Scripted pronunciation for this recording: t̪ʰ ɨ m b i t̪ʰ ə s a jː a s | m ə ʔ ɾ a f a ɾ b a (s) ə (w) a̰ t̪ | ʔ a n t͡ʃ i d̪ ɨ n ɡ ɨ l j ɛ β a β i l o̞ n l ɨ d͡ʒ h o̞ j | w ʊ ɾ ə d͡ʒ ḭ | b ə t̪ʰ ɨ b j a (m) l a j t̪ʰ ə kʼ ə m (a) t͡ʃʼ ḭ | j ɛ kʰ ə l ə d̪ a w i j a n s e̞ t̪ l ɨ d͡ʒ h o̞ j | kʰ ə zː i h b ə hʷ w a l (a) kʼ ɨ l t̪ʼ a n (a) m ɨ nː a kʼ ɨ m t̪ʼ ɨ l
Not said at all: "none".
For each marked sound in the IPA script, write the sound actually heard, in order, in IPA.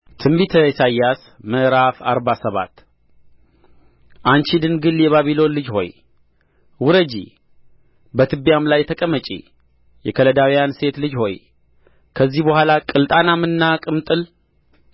s, β, m, ə, a, a

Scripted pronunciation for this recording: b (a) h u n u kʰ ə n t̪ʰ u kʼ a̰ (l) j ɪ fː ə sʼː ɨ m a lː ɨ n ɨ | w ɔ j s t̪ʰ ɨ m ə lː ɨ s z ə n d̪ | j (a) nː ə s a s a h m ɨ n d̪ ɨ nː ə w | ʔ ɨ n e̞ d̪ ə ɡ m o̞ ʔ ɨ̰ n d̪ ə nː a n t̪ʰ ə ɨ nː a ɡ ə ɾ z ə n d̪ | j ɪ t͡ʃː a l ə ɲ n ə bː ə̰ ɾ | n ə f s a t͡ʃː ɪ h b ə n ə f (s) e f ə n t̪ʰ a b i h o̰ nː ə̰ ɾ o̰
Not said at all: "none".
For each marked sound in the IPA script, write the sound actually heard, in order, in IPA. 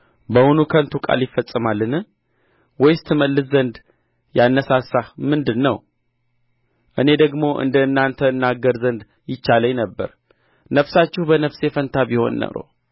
ə, l, a, s

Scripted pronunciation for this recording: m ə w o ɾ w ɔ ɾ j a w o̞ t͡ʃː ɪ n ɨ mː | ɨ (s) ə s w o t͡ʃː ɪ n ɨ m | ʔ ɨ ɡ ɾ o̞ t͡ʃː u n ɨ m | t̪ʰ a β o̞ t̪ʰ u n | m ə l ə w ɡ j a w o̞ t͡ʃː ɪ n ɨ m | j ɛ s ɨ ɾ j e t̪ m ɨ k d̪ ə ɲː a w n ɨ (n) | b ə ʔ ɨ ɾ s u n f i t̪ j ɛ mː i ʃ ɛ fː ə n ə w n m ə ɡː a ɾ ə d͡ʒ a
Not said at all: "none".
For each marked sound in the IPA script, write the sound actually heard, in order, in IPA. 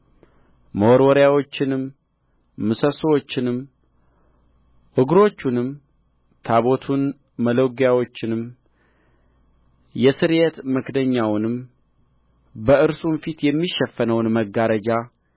s, m

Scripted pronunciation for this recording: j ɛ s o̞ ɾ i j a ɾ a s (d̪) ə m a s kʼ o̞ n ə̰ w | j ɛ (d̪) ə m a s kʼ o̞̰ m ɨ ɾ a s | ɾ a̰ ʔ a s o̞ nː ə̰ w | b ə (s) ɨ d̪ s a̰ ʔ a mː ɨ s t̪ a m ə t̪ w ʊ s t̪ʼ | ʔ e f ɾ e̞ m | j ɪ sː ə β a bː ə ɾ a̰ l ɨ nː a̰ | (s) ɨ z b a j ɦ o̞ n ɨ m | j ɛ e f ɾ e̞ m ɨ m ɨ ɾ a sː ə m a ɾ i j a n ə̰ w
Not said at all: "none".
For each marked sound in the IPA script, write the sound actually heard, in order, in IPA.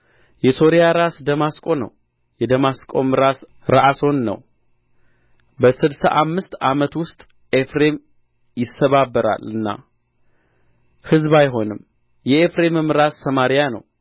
d̪, d̪, s, h

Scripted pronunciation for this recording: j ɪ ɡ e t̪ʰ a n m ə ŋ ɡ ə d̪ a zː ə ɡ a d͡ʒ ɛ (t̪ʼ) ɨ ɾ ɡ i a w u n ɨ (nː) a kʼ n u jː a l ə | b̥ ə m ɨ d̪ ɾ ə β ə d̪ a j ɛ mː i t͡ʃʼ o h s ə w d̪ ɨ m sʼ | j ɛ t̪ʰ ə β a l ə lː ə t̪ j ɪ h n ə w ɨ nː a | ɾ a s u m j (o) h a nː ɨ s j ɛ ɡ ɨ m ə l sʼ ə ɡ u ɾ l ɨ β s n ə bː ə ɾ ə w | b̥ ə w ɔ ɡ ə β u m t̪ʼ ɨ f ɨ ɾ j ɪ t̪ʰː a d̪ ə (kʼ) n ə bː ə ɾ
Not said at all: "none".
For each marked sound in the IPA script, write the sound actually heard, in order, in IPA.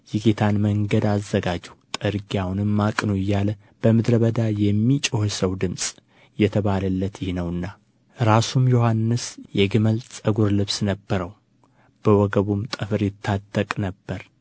t̪ʼ, mː, o, kʼ

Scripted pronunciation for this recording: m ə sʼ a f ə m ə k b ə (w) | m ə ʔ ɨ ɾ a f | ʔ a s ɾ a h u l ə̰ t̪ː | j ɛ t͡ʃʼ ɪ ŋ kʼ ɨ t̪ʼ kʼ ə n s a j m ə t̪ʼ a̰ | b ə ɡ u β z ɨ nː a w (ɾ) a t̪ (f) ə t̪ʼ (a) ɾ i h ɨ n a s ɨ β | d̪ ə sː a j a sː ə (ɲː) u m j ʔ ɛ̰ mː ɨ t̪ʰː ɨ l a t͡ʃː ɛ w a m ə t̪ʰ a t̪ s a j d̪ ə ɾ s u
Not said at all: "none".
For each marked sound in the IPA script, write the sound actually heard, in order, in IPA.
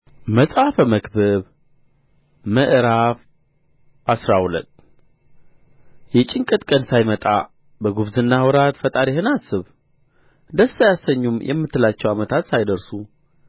β, ɾ, f, a, ɲː

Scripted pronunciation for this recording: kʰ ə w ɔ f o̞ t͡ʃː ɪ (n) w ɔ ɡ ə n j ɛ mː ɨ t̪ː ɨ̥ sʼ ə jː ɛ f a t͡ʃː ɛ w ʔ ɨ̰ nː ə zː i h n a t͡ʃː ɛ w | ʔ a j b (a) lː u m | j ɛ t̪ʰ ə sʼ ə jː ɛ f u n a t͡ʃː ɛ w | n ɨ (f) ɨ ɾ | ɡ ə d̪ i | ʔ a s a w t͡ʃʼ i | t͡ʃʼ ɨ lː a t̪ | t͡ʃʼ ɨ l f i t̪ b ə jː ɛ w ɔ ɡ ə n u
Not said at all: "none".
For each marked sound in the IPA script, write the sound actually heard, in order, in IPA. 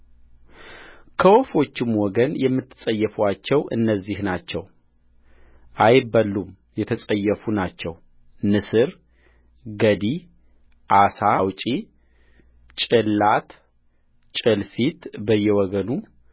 m, ə, s

